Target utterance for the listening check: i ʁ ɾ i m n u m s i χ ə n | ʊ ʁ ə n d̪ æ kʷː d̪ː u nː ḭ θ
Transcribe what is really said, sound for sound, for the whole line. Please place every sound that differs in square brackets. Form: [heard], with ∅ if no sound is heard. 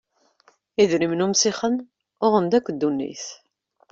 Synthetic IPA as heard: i [ð] ɾ i m n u m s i χ ə n | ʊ ʁ ə n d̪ æ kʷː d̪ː u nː ḭ θ